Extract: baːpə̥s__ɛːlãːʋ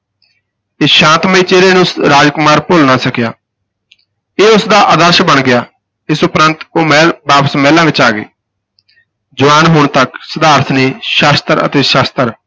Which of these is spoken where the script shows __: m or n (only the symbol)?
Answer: m